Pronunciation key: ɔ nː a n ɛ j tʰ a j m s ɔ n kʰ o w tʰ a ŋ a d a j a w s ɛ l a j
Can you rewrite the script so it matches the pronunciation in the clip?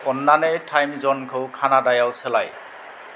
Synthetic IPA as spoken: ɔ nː a n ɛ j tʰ a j m z ɔ n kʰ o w kʰ a n a d a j a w s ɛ l a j